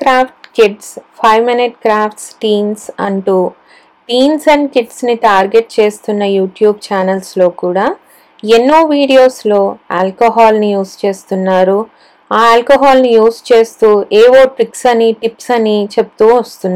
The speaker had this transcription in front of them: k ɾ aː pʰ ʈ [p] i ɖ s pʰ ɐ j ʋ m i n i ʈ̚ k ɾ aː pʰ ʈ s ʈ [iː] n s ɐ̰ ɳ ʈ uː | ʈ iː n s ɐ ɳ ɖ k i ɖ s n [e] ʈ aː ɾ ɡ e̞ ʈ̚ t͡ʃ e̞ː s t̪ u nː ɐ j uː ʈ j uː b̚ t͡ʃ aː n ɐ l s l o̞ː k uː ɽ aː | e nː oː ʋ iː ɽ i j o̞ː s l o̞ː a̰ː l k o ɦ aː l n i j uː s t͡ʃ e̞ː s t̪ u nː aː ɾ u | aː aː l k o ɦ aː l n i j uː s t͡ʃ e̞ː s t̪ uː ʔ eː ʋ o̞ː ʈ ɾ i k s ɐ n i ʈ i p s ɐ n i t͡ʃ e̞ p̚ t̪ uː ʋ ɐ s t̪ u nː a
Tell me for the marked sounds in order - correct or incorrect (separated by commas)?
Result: incorrect, correct, incorrect